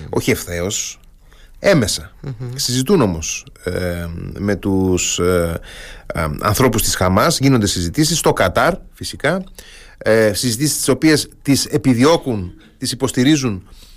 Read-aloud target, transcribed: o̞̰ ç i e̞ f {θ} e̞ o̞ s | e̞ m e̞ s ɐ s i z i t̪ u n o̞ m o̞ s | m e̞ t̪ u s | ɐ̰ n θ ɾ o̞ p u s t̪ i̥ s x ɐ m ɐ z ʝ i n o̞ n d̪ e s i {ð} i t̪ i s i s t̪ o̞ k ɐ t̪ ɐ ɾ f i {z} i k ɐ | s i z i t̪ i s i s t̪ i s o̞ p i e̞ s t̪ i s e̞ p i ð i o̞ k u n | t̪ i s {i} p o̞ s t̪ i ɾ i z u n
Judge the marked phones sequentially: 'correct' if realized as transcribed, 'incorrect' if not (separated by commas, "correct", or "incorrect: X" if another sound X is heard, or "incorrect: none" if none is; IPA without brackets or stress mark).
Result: correct, incorrect: z, incorrect: s, correct